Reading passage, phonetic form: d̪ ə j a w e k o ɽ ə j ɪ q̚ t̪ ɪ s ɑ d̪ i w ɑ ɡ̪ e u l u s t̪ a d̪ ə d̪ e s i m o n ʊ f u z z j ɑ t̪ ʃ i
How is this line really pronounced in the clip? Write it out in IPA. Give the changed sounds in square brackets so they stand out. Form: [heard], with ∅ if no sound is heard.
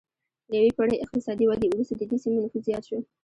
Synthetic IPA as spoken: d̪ ə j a w e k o ɽ ə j ɪ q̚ t̪ ɪ s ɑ d̪ i w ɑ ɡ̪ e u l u s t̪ a d̪ ə d̪ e s i m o n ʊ f u z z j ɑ t̪ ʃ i